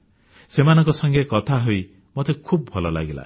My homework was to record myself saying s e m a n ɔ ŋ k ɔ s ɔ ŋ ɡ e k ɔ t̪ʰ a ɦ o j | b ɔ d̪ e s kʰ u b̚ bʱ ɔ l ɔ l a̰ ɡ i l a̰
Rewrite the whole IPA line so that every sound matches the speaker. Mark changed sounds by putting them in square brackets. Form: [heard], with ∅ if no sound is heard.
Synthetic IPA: s e m a n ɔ ŋ k ɔ s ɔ ŋ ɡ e k ɔ t̪ʰ a ɦ o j | [m] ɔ [t̪] e [∅] kʰ u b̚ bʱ ɔ l ɔ l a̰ ɡ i l a̰